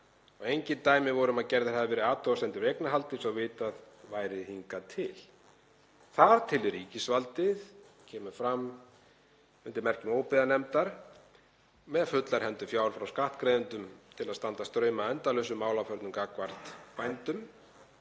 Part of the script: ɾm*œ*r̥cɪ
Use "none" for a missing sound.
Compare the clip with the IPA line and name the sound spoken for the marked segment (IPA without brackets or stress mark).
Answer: ɛ